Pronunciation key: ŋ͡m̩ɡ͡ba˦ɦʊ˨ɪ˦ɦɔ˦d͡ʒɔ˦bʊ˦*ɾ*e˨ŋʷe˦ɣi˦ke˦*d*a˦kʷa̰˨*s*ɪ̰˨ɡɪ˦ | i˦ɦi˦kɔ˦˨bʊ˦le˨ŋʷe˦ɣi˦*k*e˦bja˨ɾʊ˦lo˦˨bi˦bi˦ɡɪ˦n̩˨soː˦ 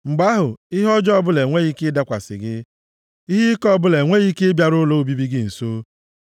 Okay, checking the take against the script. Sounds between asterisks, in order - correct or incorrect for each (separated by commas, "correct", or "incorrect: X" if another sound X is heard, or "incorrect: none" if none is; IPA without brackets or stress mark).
incorrect: l, correct, correct, correct